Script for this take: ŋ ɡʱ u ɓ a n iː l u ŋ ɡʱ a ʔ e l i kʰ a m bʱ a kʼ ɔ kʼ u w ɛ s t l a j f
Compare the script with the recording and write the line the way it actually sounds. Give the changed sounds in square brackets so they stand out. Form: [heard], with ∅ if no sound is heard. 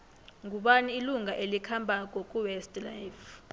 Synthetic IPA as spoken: ŋ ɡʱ u ɓ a n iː l u ŋ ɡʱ a ʔ e l i kʰ a m bʱ a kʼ ɔ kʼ u w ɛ s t l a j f